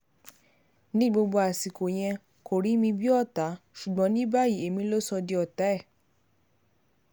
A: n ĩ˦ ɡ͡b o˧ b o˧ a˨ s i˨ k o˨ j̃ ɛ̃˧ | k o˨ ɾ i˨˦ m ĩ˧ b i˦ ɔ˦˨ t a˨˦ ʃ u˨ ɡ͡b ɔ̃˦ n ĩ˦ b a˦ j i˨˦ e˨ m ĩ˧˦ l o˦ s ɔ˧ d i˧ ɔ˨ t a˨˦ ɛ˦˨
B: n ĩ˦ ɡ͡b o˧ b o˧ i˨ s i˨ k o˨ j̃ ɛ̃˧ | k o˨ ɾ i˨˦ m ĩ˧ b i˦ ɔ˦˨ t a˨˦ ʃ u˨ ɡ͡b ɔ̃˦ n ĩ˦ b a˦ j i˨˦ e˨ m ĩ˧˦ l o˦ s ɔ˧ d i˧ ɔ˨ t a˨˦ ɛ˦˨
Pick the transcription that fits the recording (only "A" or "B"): A